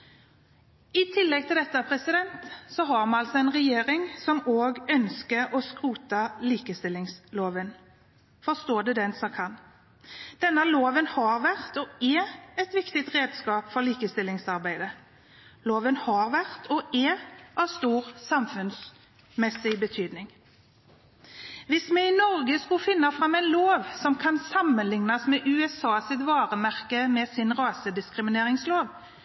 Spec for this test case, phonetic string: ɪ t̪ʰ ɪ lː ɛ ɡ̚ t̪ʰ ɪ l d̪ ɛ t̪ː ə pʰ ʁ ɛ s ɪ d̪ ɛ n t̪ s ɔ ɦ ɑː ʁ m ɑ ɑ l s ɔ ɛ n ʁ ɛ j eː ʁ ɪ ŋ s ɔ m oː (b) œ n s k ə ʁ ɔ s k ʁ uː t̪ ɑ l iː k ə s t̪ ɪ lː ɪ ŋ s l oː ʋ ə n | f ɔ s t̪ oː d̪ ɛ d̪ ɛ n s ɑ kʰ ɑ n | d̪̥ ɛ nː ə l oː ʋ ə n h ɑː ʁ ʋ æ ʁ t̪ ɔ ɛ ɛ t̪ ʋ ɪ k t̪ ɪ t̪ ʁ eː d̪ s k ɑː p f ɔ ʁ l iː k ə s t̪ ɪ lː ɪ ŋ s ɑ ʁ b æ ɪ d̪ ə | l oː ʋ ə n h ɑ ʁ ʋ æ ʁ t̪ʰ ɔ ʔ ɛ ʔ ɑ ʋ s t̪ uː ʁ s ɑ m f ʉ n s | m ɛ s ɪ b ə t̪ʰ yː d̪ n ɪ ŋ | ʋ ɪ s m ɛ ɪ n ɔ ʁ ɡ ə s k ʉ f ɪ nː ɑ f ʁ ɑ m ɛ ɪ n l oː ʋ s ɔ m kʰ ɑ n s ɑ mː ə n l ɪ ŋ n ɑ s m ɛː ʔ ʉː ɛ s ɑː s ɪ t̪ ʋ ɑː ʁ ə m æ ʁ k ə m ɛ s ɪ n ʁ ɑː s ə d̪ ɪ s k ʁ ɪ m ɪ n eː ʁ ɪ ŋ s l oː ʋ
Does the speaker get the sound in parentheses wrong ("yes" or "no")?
yes